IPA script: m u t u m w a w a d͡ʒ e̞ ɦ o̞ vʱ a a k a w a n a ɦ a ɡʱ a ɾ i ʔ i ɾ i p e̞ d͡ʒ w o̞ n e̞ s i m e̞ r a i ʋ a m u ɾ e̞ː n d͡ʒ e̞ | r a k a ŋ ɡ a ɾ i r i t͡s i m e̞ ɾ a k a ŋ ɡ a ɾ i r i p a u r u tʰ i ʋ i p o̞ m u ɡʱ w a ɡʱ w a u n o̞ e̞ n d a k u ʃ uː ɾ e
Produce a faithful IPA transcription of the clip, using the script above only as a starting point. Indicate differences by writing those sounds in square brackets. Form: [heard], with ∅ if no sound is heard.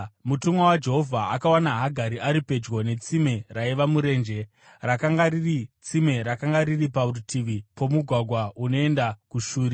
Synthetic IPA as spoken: m u t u m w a w a d͡ʒ e̞ ɦ o̞ vʱ a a k a w a n a ɦ a ɡʱ a ɾ i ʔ [a] ɾ i p e̞ d͡ʒ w o̞ n e̞ [t͡s] i m e̞ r a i ʋ a m u ɾ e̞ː n d͡ʒ e̞ | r a k a ŋ ɡ a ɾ i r i t͡s i m e̞ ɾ a k a ŋ ɡ a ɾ i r i p a u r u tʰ i ʋ i p o̞ m u ɡʱ w a ɡʱ w a u n o̞ e̞ n d a k u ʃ uː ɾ [i]